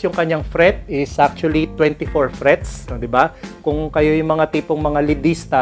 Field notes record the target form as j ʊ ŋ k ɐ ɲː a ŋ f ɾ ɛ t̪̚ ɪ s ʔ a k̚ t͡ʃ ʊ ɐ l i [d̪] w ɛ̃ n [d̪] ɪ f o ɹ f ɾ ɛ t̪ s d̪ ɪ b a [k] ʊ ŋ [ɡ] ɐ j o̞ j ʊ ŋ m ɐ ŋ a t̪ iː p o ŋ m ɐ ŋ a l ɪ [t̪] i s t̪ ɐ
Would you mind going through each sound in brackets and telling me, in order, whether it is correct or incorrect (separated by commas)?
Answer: incorrect, incorrect, correct, incorrect, incorrect